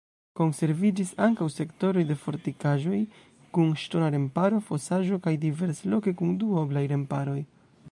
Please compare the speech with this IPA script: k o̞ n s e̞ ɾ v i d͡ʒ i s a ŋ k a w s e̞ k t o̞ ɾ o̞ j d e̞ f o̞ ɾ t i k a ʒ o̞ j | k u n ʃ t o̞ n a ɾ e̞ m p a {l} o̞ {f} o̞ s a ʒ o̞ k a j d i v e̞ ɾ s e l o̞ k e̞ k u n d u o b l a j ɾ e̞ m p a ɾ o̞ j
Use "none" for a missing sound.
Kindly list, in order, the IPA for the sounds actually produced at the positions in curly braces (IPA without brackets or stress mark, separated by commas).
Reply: ɾ, f